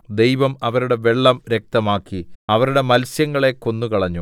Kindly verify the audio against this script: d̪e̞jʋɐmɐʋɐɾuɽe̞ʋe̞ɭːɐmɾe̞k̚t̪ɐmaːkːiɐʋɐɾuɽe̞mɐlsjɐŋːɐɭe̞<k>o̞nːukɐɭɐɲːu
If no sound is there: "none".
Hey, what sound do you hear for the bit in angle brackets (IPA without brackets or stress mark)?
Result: k